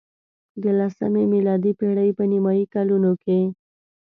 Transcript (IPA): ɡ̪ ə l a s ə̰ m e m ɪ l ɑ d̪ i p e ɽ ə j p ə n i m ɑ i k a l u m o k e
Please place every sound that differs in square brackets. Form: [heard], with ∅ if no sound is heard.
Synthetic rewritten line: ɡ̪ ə l a s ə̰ m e m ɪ l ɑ d̪ i p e ɽ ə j p ə n i m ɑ i k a l u [n] o k e